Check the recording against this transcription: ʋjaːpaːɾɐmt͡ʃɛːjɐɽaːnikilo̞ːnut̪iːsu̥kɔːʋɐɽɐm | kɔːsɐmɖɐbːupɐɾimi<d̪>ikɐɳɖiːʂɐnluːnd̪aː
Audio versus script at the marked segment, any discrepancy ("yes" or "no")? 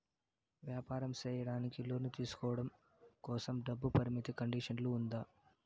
yes